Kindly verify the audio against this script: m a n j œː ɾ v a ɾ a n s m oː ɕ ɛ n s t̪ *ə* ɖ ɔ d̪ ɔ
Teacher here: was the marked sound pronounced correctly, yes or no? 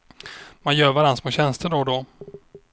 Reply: yes